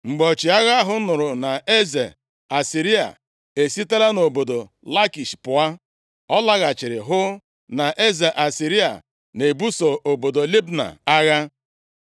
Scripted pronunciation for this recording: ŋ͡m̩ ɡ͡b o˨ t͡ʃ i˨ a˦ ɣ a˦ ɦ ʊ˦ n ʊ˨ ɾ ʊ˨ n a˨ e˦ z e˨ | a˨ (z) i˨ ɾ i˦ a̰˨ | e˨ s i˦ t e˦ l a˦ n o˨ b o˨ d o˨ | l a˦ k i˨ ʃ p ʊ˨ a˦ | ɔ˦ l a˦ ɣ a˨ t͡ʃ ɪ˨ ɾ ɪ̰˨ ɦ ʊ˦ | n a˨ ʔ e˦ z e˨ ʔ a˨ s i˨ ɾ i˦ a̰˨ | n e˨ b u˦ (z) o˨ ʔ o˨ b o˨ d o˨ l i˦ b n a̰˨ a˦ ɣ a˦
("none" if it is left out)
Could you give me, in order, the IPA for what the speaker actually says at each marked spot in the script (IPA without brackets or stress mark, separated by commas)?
s, s